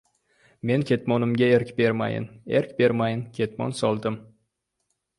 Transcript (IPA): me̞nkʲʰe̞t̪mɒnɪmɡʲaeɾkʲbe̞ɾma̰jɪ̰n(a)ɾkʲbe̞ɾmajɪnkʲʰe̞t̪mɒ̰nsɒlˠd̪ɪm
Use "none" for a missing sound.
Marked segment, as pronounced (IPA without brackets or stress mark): e